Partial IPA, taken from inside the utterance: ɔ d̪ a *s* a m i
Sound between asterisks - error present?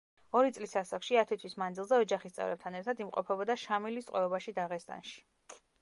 yes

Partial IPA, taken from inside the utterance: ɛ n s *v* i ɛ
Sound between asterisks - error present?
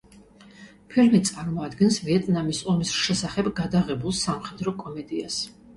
no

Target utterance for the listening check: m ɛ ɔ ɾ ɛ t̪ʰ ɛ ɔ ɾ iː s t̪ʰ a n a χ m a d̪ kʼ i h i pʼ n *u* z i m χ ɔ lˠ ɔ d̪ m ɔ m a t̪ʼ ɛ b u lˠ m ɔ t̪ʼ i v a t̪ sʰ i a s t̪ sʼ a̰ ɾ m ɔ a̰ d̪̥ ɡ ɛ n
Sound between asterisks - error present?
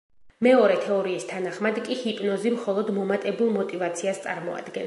yes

